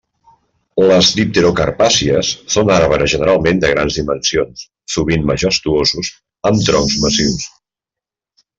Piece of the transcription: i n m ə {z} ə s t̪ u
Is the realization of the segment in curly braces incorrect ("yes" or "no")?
yes